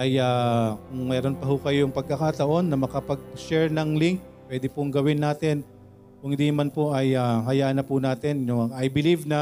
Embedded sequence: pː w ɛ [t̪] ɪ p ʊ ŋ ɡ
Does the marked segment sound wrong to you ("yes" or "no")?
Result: yes